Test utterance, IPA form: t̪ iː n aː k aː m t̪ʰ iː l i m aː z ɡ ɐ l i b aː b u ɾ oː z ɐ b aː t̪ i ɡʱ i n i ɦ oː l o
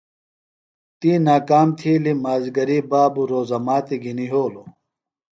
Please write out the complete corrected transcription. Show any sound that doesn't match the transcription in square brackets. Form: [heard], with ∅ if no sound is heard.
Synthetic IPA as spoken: t̪ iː n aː k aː m t̪ʰ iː l i m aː z ɡ ɐ [ɾ] i b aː b u ɾ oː z ɐ [m] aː t̪ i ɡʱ i n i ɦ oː l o